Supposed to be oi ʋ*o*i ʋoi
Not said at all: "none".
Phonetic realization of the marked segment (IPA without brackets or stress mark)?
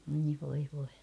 o